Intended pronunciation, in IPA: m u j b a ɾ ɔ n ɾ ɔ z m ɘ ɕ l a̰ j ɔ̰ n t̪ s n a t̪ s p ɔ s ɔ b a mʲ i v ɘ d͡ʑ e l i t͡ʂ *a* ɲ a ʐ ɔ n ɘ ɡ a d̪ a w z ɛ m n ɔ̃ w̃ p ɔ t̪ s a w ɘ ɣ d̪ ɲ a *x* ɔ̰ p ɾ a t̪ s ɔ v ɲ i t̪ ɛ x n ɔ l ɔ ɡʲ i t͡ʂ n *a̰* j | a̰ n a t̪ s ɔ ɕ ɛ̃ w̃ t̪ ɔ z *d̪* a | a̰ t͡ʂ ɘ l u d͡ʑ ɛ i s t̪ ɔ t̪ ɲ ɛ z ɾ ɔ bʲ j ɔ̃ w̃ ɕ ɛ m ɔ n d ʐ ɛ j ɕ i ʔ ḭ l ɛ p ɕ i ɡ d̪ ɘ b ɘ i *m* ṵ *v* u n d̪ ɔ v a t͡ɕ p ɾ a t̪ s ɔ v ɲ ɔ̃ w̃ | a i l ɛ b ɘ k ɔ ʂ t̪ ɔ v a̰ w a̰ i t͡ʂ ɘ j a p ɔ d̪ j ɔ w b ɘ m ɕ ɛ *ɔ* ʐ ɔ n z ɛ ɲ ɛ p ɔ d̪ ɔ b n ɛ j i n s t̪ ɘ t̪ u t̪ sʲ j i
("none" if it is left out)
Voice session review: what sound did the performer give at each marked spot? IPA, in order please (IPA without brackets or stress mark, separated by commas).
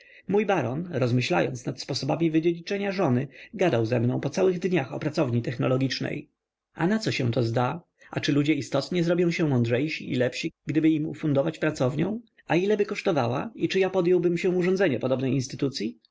ɛ, x, ɛ̰, d̪, m, f, u